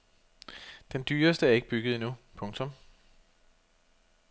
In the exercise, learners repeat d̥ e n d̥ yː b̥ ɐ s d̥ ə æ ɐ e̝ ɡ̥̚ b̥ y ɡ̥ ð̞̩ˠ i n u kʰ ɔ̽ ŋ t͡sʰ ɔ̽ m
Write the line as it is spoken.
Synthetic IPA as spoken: d̥ e n d̥ yː ɐ s d̥ ə æ ɐ e̝ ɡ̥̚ b̥ y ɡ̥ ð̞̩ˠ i n u pʰ ɔ̽ ŋ t͡sʰ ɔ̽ m